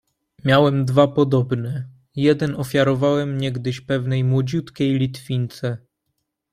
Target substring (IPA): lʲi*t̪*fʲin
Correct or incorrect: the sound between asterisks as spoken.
correct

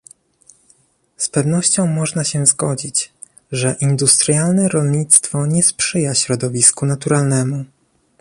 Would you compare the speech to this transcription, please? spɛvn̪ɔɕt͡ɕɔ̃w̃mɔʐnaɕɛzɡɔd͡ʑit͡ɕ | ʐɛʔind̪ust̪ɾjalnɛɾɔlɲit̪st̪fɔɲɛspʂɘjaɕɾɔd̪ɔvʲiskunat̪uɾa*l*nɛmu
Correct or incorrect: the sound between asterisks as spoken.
correct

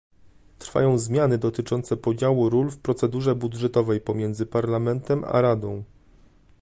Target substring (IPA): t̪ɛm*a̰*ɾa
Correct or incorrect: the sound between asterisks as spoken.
correct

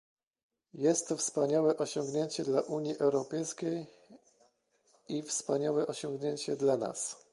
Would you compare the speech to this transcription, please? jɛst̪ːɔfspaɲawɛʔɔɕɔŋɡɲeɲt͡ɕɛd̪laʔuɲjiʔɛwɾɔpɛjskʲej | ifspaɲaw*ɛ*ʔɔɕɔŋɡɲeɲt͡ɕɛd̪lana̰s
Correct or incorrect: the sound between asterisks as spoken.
correct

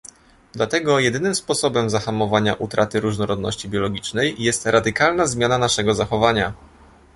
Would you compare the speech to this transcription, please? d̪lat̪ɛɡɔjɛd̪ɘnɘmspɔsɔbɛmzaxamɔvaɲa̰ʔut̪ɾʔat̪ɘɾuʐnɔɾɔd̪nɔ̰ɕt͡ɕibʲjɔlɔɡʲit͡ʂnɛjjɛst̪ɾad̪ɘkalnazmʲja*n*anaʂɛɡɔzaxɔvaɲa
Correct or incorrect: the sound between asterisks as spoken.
correct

